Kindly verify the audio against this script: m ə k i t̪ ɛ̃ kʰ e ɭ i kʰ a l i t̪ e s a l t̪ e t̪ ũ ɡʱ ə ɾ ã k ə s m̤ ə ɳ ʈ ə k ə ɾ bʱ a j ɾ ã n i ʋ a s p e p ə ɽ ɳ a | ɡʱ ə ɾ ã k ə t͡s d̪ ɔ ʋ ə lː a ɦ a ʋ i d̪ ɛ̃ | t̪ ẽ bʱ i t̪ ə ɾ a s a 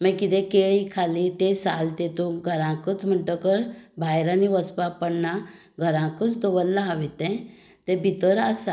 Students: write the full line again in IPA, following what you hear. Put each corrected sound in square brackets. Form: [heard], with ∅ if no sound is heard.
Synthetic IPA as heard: m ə k i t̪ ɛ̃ [k] e ɭ i kʰ a l i t̪ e s a l t̪ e t̪ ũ ɡʱ ə ɾ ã k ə [t͡s] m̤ ə ɳ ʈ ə k ə ɾ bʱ a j ɾ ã n i ʋ [ə] s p [a] p ə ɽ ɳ a | ɡʱ ə ɾ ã k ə t͡s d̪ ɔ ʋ ə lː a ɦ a ʋ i [t̪] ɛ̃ | t̪ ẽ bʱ i t̪ ə ɾ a s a